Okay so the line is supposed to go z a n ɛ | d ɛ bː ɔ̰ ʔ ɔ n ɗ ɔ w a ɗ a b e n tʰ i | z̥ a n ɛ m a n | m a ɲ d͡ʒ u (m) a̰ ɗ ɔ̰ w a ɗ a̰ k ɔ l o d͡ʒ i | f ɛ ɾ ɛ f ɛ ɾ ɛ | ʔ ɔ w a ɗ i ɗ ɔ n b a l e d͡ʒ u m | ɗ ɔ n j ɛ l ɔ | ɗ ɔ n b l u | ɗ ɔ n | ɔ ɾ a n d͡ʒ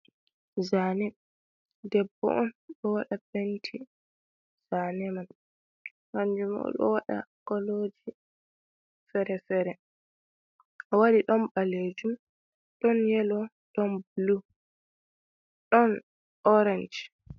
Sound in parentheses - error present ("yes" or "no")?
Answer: no